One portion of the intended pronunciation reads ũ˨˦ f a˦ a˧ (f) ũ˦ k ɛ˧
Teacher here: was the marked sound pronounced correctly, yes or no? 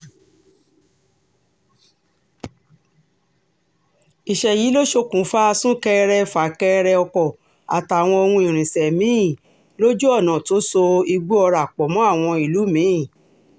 no